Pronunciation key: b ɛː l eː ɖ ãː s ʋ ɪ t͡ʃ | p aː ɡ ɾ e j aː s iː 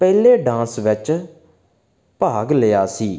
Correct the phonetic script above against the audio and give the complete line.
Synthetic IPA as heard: p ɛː l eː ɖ ãː s ʋ ɪ t͡ʃ | p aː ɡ l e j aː s iː